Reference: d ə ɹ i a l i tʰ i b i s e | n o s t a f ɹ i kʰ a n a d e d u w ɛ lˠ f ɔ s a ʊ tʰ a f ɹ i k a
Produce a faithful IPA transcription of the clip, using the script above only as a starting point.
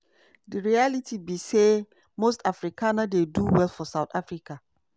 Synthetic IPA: d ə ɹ i a l i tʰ i b i s e | m o s t a f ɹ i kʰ a n a d e d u w ɛ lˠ f ɔ s a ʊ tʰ a f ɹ i k a